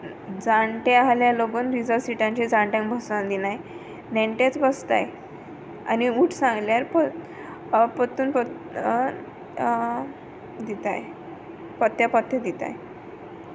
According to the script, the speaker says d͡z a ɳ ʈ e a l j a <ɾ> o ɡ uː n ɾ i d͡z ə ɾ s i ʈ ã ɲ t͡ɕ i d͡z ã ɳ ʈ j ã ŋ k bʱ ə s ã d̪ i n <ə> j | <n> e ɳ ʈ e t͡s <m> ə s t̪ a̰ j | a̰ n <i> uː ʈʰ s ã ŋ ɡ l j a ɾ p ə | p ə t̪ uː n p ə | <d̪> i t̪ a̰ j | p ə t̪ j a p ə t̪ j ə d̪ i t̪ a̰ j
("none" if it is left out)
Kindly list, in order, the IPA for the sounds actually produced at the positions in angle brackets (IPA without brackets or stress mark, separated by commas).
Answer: l, a, n, b, i, d̪